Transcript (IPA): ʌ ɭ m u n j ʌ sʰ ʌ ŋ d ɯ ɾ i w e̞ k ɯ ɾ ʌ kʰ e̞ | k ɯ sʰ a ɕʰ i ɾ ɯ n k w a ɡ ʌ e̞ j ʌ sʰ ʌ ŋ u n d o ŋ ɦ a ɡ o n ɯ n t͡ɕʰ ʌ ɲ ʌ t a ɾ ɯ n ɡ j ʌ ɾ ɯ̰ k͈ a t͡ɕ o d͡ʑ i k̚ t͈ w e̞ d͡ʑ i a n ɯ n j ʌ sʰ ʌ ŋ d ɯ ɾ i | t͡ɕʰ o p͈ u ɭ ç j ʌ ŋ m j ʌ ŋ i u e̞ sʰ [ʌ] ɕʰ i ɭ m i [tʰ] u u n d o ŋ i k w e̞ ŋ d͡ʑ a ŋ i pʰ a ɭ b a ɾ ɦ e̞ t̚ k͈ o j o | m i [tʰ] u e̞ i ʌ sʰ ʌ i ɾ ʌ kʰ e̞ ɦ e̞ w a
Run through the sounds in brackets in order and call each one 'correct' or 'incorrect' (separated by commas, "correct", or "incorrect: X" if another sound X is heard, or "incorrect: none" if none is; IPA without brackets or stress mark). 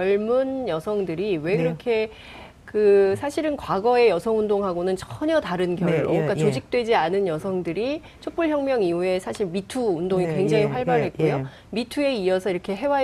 incorrect: a, correct, correct